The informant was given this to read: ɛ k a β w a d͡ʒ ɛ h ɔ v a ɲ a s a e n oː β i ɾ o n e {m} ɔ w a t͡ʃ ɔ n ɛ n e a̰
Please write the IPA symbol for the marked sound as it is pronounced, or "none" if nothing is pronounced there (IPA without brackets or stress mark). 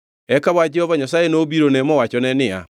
m